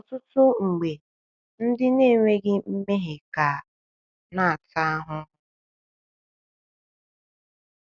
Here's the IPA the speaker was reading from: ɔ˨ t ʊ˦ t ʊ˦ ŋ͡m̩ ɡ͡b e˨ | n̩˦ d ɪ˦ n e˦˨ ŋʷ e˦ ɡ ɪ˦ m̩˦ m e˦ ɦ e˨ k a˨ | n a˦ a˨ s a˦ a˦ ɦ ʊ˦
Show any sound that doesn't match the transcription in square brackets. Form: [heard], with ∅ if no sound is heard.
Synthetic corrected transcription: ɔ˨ t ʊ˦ t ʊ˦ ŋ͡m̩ ɡ͡b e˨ | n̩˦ d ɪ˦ n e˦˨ ŋʷ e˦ ɡ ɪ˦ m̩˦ m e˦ ɦ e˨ k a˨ | n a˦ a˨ [t] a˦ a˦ ɦ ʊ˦